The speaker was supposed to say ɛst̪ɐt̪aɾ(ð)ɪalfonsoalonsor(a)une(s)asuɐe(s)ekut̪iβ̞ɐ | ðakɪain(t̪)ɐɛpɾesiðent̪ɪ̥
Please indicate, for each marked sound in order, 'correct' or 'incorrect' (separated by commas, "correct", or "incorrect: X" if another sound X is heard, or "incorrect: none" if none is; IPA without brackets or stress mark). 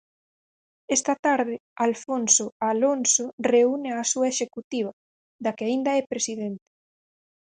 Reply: correct, incorrect: e, incorrect: none, incorrect: ʃ, incorrect: d̪